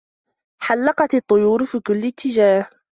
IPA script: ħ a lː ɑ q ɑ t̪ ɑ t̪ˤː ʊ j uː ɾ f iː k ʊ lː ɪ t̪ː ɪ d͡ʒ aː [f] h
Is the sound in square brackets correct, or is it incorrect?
incorrect: none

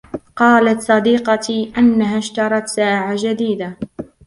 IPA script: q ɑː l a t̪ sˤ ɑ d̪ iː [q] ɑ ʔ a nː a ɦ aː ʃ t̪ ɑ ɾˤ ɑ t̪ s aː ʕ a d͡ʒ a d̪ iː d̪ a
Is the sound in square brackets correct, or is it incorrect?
correct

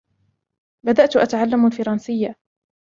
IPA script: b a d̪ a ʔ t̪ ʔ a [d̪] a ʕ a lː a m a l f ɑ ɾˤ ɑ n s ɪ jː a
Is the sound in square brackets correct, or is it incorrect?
incorrect: t̪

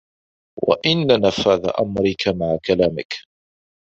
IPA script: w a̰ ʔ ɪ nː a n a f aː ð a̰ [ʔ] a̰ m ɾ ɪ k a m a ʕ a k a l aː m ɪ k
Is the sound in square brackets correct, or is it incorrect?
correct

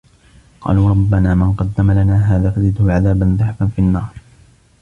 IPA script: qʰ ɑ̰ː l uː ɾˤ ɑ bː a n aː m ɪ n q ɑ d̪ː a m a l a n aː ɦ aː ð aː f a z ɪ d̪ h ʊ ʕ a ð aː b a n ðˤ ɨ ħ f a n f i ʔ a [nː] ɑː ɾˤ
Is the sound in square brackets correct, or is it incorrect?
correct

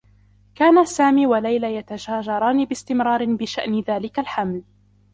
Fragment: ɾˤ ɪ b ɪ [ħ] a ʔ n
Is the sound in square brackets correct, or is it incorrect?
incorrect: ʃ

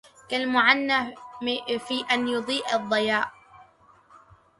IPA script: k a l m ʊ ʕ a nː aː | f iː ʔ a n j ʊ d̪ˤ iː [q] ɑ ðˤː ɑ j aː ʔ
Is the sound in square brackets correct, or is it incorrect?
incorrect: ʔ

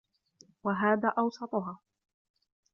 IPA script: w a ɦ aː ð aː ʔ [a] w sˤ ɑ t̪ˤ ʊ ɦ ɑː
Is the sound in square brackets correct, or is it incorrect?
incorrect: ɑ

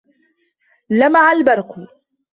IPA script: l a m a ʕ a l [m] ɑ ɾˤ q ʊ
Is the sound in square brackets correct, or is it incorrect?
incorrect: b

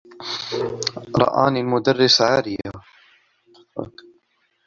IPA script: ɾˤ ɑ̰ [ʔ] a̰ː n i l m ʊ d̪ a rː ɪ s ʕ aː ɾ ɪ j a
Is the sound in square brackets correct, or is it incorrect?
correct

